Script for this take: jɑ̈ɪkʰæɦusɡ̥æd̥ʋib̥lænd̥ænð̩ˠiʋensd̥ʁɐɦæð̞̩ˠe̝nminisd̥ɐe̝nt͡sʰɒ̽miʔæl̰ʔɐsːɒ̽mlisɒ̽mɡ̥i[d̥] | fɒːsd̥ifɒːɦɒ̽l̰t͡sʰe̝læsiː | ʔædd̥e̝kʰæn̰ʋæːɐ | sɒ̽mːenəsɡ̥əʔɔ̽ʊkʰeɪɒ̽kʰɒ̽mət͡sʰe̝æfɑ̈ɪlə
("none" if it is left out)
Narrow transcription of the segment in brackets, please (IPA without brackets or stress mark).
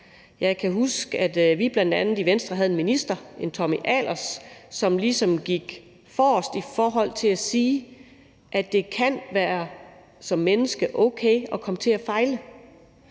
ɡ̥